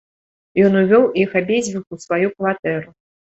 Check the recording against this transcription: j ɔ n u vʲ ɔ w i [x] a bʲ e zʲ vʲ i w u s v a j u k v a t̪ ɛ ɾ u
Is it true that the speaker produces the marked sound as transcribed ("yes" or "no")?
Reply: yes